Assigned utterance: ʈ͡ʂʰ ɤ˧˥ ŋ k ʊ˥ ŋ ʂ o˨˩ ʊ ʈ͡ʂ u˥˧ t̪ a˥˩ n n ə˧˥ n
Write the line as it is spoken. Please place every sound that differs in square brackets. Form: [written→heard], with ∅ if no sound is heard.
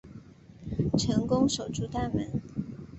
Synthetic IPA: ʈ͡ʂʰ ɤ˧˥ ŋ k ʊ˥ ŋ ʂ o˨˩ ʊ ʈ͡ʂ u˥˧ t̪ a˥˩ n [n→m] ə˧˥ n